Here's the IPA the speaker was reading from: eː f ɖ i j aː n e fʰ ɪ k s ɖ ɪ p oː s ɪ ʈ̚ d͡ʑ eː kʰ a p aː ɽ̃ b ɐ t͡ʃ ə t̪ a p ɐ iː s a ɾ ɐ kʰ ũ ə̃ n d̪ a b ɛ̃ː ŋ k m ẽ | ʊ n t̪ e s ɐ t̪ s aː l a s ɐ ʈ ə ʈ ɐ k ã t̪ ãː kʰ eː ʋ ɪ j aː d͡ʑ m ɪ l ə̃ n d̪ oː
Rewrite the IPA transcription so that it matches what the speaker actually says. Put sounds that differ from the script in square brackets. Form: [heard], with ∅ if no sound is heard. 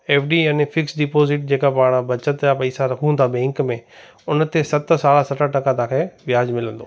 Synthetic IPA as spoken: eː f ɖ i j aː n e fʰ ɪ k s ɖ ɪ p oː [z] ɪ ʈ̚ d͡ʑ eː [k] a p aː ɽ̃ b ɐ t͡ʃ ə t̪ a p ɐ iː s a ɾ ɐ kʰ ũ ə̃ n d̪ a b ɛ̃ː ŋ k m ẽ | ʊ n t̪ e s ɐ t̪ s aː l a s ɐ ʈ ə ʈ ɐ k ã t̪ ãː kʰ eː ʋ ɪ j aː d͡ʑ m ɪ l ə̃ n d̪ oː

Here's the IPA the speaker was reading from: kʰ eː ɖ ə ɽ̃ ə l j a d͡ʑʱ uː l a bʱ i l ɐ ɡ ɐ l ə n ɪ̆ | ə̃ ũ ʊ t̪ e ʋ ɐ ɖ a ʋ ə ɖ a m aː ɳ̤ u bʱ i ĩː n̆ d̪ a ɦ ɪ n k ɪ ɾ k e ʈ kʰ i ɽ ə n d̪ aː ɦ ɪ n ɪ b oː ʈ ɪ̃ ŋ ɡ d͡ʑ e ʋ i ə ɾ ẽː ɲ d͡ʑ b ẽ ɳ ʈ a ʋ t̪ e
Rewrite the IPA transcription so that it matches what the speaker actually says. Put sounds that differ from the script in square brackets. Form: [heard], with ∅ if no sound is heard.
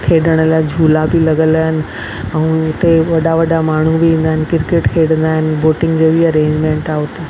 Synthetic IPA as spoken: kʰ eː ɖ ə ɽ̃ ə l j a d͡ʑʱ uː l a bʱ i l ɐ ɡ [ə] l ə n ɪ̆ | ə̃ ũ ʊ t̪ e ʋ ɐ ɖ a ʋ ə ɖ a m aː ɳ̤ u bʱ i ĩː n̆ d̪ a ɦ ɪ n k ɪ ɾ k e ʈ kʰ [e] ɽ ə n d̪ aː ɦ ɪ n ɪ b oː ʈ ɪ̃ ŋ ɡ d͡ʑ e ʋ i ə ɾ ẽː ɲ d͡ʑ [m] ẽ ɳ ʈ a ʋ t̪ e

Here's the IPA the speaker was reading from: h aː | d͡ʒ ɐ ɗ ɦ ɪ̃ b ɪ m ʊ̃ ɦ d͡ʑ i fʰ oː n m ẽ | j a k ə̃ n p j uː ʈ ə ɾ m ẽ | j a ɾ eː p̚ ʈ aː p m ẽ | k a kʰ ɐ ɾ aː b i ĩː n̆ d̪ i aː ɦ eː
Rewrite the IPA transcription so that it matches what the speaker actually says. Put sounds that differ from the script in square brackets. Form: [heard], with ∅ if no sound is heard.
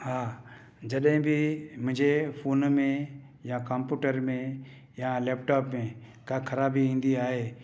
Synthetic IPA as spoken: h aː | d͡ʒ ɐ ɗ ɦ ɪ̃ b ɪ m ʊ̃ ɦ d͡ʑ [e] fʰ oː n m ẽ | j a k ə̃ [m] p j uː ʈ ə ɾ m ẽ | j a [l] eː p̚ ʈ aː p m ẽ | k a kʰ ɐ ɾ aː b i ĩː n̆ d̪ i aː ɦ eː

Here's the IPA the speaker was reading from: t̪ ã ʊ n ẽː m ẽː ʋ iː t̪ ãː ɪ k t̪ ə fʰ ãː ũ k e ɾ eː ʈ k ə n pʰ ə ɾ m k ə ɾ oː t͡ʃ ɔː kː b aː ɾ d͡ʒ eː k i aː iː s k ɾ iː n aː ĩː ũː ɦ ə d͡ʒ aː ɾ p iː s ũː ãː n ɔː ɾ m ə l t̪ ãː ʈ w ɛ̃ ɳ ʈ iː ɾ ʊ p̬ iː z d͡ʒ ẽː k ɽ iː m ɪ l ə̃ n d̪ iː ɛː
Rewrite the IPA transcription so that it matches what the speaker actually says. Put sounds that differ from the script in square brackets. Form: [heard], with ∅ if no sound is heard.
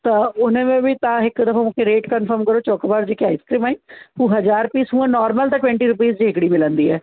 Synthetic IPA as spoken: t̪ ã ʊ n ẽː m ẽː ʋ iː t̪ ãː ɪ k [d̪] ə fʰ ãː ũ k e ɾ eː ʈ k ə n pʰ ə ɾ m k ə ɾ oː t͡ʃ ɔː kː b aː ɾ d͡ʒ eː k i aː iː s k ɾ iː [m] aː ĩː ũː ɦ ə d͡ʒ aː ɾ p iː s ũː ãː n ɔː ɾ m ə l t̪ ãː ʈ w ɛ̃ ɳ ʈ iː ɾ ʊ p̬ iː z d͡ʒ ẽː k ɽ iː m ɪ l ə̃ n d̪ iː ɛː

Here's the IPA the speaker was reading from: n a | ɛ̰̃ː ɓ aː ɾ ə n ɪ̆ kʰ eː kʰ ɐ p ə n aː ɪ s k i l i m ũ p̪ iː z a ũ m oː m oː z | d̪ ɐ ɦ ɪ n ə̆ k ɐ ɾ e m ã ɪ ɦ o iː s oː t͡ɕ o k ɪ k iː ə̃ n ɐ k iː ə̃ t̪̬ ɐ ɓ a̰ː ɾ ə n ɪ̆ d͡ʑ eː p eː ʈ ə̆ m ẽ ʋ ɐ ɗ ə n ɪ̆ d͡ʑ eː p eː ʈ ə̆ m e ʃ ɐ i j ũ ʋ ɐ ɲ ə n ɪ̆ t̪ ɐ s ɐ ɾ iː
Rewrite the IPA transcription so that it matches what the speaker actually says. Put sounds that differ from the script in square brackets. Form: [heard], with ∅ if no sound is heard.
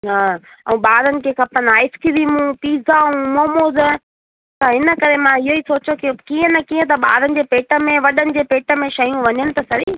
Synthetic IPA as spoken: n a | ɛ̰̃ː ɓ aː ɾ ə n ɪ̆ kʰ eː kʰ ɐ p ə n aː ɪ s k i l i m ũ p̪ iː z a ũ m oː m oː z | [t̪] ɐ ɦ ɪ n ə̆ k ɐ ɾ e m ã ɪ ɦ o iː s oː t͡ɕ o k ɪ k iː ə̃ n ɐ k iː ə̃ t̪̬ ɐ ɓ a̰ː ɾ ə n ɪ̆ d͡ʑ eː p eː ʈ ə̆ m ẽ ʋ ɐ ɗ ə n ɪ̆ d͡ʑ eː p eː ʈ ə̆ m [ẽ] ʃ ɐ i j ũ ʋ ɐ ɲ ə n ɪ̆ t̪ ɐ s ɐ ɾ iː

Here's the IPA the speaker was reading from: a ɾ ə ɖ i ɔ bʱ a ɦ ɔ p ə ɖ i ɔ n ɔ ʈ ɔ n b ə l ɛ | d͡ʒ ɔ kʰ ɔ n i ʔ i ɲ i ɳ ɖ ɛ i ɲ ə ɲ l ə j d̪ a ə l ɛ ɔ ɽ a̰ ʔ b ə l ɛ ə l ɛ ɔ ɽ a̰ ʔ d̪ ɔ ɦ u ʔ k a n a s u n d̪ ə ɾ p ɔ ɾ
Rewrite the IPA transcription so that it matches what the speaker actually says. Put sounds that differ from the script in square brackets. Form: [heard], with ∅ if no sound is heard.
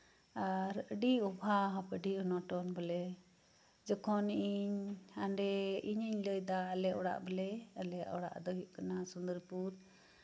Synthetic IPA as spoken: a ɾ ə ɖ i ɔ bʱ a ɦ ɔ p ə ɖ i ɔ n ɔ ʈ ɔ n b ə l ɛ | d͡ʒ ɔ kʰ ɔ n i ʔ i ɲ [a] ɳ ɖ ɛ i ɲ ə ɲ l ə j d̪ a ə l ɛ ɔ ɽ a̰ ʔ b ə l ɛ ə l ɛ ɔ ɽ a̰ ʔ d̪ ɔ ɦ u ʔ k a n a s u n d̪ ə ɾ p [u] ɾ

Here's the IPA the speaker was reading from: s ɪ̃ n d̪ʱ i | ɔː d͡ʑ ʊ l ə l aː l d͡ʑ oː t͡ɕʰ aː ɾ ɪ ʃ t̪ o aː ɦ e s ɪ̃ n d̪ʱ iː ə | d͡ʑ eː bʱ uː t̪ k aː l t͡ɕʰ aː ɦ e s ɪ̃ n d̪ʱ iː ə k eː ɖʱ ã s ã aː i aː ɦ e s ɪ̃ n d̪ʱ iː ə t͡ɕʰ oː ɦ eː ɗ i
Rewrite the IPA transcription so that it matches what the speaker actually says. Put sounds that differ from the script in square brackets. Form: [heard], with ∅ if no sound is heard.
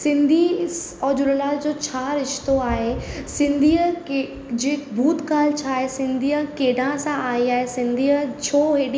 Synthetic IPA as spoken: s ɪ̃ n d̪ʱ i | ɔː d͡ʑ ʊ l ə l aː l d͡ʑ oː t͡ɕʰ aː ɾ ɪ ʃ t̪ o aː ɦ e s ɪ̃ n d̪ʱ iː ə | d͡ʑ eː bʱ uː t̪ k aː l t͡ɕʰ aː ɦ e s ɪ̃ n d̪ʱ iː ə k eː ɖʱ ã s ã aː i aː ɦ e s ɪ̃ n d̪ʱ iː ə t͡ɕʰ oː ɦ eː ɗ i

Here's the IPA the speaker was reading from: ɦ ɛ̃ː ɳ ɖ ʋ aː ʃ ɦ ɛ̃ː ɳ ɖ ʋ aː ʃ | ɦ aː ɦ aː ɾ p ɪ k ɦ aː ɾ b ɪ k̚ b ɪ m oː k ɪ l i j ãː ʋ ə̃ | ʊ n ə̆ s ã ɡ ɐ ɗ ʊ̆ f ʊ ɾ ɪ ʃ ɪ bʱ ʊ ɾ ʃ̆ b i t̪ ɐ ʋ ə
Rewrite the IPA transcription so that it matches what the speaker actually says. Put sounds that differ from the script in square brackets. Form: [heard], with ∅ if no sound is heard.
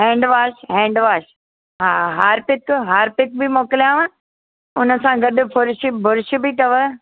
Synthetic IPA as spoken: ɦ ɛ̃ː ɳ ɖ ʋ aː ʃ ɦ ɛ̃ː ɳ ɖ ʋ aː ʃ | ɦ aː ɦ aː ɾ p ɪ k ɦ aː ɾ [p] ɪ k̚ b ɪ m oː k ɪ l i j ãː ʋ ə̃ | ʊ n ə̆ s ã ɡ ɐ ɗ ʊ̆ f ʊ ɾ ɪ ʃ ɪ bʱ ʊ ɾ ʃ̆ b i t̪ ɐ ʋ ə

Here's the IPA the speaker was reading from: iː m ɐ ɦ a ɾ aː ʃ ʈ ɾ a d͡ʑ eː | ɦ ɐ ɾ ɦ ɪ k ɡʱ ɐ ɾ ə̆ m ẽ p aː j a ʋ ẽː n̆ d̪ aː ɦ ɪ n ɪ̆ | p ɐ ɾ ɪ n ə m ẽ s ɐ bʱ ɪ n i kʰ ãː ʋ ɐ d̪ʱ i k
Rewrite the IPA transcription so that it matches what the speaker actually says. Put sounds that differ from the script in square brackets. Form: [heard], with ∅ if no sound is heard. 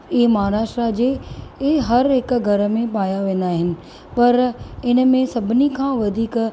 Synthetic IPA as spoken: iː m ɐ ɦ a ɾ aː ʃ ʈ ɾ a d͡ʑ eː | ɦ ɐ ɾ ɦ ɪ k ɡʱ ɐ ɾ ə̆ m ẽ p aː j a ʋ ẽː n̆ d̪ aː ɦ ɪ n ɪ̆ | p ɐ ɾ ɪ n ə m ẽ s ɐ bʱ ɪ n i kʰ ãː ʋ ɐ d̪ʱ [iː] k

